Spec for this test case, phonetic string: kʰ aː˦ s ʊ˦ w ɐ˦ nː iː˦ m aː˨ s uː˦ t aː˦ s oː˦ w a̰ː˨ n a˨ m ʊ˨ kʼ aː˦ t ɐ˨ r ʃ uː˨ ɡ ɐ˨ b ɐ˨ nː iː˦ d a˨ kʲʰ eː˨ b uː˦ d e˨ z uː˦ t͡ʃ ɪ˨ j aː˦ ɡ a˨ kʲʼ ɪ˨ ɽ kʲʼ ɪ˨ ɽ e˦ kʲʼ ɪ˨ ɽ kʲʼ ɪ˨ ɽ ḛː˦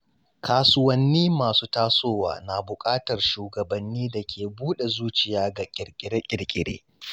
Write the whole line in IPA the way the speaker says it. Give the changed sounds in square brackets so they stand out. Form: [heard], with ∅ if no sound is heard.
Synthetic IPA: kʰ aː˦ s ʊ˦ w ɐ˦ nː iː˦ m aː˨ s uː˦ t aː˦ s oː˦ w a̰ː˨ n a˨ [b] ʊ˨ kʼ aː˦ t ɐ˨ r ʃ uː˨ ɡ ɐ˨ b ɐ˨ nː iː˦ d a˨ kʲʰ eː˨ b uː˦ [ɗ] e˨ z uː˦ t͡ʃ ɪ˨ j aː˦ ɡ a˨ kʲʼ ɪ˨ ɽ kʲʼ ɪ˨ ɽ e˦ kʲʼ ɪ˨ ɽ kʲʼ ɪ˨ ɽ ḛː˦

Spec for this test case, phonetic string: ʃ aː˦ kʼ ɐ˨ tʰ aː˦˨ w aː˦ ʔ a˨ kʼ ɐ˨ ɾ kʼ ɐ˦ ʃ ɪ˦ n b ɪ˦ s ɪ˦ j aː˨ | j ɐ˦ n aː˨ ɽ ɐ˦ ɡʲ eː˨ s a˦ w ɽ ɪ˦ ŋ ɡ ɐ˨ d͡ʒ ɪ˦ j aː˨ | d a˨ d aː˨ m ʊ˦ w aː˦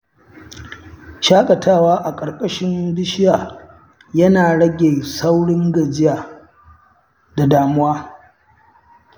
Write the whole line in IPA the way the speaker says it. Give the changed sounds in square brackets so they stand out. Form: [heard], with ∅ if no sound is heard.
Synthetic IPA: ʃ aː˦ kʼ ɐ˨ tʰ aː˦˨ w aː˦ ʔ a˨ kʼ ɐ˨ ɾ kʼ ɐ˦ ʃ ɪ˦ n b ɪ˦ [ʃ] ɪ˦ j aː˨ | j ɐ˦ n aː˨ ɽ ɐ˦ ɡʲ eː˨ s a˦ w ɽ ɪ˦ ŋ ɡ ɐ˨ d͡ʒ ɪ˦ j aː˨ | d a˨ d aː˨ m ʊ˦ w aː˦

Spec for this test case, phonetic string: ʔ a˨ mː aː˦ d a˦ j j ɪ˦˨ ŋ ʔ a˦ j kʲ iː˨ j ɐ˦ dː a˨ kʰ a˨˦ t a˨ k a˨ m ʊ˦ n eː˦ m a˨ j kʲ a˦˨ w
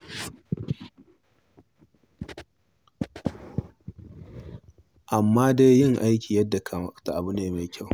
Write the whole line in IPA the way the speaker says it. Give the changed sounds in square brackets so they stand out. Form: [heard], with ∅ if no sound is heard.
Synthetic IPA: ʔ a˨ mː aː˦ d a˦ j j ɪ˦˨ ŋ ʔ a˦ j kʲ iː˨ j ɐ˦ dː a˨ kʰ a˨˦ t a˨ [ʔ] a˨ [b] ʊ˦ n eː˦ m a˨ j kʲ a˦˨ w

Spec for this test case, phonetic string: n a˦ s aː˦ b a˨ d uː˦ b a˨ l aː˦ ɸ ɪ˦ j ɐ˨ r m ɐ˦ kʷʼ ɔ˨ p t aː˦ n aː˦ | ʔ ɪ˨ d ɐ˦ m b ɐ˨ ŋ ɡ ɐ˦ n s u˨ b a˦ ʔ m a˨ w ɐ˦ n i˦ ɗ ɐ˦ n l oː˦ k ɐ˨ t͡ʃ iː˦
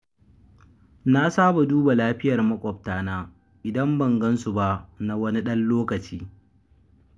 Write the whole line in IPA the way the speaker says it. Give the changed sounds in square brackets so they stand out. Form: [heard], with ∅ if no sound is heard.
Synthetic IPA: n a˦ s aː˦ b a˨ d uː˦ b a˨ l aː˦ ɸ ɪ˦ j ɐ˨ r m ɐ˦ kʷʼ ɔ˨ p t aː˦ n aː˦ | ʔ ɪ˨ d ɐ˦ m b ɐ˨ ŋ ɡ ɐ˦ n s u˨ b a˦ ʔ [n] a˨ w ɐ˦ n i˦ ɗ ɐ˦ n l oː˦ k ɐ˨ t͡ʃ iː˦

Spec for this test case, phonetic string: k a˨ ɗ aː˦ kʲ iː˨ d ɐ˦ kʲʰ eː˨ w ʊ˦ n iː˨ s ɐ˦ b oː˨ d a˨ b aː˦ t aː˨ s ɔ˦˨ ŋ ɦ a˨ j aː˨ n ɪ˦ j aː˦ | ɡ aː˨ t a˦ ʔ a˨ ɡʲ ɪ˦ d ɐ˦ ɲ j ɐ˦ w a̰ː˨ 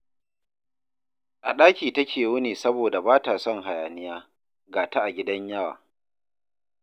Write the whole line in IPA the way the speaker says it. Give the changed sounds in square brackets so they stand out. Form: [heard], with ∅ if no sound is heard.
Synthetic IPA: [ʔ] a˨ ɗ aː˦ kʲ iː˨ [t] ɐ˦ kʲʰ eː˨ w ʊ˦ n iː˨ s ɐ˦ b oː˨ d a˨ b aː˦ t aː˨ s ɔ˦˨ ŋ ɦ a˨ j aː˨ n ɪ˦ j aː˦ | ɡ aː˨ t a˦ ʔ a˨ ɡʲ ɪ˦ d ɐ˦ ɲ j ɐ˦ w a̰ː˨

